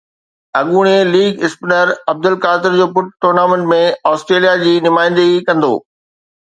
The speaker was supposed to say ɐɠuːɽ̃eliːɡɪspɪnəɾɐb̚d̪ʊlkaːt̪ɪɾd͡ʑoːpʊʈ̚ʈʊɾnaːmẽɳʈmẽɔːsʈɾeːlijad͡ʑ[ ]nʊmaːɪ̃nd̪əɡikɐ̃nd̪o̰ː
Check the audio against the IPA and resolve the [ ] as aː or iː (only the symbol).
iː